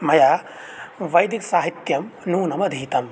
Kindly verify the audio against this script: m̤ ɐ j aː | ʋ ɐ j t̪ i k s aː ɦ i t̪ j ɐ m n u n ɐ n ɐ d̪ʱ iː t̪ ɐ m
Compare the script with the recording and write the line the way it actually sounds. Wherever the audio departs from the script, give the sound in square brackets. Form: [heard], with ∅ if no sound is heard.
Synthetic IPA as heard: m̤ ɐ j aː | ʋ ɐ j [d̪] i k s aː ɦ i t̪ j ɐ m n [uː] n ɐ [m] ɐ d̪ʱ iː t̪ ɐ m